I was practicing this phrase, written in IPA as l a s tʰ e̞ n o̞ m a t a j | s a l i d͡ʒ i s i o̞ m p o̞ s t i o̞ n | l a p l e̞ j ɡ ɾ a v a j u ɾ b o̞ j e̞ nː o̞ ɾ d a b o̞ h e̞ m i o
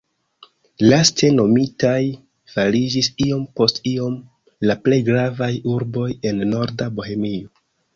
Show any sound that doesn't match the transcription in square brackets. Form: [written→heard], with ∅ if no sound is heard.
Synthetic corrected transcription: l a s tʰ e̞ n o̞ m [a→i] t a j | [s→f] a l i d͡ʒ i s i o̞ m p o̞ s t i o̞ [n→m] | l a p l e̞ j ɡ ɾ a v a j u ɾ b o̞ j e̞ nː o̞ ɾ d a b o̞ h e̞ m i o